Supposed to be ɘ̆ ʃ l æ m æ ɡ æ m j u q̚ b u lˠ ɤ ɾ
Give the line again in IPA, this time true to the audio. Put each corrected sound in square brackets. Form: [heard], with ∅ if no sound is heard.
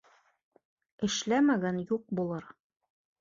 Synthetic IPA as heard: ɘ̆ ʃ l æ m æ ɡ æ [n] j u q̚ b u lˠ ɤ ɾ